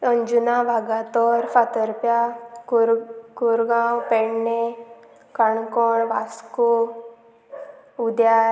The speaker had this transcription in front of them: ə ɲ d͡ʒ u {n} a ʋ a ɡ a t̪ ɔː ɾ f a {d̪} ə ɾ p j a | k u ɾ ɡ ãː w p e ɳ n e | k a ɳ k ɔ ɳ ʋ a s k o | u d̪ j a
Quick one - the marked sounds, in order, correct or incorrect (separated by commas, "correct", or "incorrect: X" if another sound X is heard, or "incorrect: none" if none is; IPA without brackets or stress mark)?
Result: correct, incorrect: t̪